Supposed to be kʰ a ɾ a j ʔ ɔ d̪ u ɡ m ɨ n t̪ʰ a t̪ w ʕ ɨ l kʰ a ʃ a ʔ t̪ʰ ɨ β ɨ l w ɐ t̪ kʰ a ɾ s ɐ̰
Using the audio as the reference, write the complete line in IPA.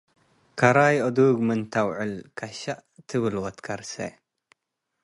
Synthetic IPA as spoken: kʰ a ɾ a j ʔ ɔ d̪ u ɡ m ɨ n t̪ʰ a w ʕ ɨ l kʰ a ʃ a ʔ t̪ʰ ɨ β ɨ l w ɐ t̪ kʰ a ɾ s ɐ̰